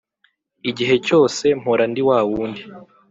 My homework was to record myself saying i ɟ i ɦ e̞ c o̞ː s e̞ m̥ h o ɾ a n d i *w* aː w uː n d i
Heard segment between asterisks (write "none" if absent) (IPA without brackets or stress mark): w